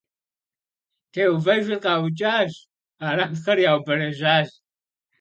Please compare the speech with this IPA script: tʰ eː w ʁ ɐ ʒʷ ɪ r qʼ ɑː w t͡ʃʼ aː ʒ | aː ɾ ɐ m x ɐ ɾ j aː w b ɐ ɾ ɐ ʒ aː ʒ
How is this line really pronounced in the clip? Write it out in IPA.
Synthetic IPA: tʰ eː w v ɐ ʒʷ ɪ r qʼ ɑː w t͡ʃʼ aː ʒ | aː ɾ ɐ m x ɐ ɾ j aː w b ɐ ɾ ɐ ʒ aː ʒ